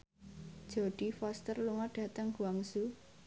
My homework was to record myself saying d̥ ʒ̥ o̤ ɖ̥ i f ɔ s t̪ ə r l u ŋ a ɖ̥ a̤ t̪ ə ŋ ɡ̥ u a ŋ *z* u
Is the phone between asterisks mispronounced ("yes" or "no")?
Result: yes